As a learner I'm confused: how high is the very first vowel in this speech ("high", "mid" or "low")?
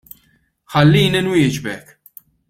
low